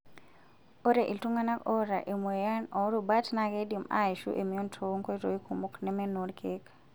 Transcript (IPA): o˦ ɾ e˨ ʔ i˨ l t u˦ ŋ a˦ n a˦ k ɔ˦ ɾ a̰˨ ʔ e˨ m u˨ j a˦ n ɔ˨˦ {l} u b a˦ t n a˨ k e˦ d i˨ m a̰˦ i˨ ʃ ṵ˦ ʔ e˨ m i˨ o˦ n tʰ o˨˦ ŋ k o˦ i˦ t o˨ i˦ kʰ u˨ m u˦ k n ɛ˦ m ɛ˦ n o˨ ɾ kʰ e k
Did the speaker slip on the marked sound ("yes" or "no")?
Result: yes